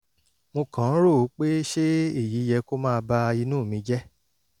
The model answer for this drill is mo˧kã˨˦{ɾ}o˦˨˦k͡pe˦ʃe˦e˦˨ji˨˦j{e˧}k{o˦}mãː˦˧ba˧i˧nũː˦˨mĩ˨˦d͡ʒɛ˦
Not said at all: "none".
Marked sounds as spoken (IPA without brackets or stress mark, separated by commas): ɾ, ɛ˧, o˦